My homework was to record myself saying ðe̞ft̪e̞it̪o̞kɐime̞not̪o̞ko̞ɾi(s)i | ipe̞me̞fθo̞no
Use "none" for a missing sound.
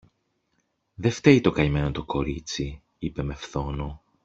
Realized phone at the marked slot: t͡s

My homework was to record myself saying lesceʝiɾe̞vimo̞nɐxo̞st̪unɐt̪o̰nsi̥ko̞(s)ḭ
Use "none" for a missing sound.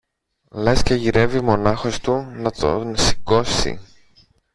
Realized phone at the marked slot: s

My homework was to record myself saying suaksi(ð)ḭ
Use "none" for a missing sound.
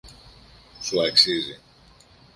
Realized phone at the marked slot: z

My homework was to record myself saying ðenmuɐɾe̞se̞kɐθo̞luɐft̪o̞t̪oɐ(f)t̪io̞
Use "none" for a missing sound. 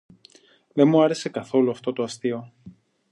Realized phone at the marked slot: s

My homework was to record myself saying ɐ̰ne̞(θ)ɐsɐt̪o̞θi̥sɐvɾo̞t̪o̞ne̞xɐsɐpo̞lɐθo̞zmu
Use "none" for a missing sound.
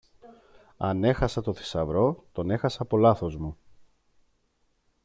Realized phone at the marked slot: x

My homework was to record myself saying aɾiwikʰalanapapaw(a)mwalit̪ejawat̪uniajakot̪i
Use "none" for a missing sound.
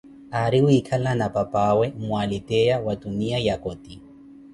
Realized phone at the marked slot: e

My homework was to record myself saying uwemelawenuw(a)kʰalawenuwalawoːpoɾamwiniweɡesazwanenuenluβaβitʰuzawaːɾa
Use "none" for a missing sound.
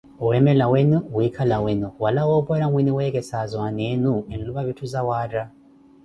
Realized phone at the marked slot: i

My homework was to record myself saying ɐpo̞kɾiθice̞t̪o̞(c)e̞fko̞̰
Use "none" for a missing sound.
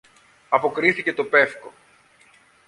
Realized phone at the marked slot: p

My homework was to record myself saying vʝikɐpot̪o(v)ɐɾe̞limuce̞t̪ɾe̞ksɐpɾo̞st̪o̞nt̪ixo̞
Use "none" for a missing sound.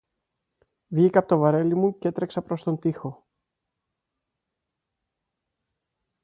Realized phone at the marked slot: v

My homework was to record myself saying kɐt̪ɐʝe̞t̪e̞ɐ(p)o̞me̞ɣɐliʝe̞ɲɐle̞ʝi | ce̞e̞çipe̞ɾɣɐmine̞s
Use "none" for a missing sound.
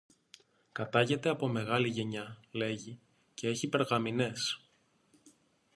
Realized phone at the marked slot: p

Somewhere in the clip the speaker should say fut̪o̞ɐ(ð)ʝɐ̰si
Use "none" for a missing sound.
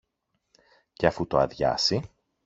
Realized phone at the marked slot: ð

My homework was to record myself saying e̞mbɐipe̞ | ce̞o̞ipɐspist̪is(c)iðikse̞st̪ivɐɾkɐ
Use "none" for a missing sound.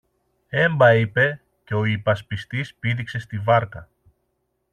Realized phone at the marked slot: p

